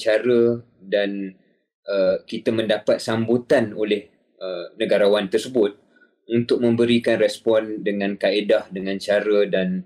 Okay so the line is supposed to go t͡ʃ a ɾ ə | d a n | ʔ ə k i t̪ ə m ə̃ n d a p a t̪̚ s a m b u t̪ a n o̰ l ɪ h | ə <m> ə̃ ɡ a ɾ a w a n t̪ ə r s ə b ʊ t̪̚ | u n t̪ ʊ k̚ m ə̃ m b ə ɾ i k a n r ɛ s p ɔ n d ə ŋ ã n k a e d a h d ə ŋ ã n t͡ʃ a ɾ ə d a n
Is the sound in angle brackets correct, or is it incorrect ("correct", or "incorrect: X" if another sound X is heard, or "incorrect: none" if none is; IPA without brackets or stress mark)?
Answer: incorrect: n